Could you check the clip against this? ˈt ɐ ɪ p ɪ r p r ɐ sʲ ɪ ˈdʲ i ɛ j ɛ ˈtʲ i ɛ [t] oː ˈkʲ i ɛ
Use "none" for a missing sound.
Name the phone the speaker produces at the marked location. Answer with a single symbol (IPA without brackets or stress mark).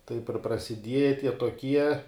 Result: t